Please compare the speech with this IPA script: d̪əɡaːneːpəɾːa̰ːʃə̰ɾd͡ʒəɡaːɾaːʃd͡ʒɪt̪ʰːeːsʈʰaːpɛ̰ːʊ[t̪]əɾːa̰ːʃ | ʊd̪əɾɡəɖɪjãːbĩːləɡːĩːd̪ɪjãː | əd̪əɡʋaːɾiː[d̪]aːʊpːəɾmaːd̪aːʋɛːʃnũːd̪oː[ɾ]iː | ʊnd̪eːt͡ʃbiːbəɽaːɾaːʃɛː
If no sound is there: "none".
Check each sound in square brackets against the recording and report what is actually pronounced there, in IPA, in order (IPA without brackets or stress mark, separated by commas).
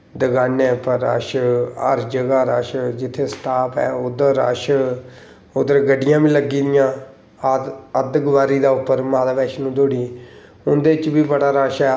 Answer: d̪, d̪, ɽ